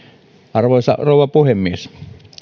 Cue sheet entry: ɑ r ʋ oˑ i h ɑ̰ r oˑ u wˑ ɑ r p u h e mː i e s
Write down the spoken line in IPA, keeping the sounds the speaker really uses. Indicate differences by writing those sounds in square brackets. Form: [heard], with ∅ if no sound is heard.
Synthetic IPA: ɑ r ʋ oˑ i [s] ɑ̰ r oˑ u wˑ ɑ [∅] p u h e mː i e s